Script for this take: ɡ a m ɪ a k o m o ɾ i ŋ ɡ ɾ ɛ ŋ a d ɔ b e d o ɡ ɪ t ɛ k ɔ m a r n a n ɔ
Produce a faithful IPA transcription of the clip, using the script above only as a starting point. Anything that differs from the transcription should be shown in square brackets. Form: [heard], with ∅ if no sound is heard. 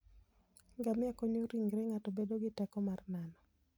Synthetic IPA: ɡ a m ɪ a k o [ɲ] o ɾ i ŋ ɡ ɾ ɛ ŋ a [t] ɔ b e d o ɡ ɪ t ɛ k ɔ m a r n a n ɔ